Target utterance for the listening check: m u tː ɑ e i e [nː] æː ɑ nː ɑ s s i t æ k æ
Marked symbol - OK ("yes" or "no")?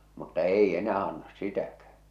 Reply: no